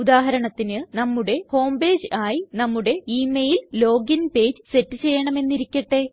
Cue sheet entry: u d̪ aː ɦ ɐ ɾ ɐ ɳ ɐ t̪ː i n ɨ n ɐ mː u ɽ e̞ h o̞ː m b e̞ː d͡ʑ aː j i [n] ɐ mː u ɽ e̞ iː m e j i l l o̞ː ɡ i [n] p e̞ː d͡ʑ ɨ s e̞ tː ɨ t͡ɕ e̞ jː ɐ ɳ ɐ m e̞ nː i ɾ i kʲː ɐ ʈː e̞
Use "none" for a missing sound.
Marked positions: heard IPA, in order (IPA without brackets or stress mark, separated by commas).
n, n